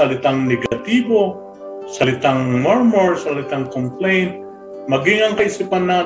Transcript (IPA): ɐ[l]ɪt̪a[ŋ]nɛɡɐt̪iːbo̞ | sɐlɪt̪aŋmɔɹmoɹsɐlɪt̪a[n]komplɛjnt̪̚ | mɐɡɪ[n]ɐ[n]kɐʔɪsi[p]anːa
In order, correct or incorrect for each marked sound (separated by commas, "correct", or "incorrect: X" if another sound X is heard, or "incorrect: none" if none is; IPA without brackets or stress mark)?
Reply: correct, correct, incorrect: ŋ, incorrect: ŋ, incorrect: ŋ, correct